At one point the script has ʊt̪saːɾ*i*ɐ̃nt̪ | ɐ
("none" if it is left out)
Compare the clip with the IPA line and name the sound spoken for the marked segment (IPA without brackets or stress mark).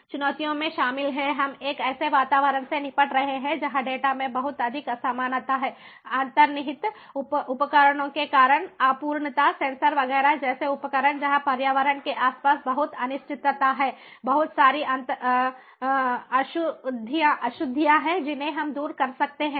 i